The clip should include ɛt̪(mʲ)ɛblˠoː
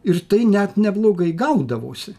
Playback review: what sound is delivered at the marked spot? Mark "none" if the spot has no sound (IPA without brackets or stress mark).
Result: nʲ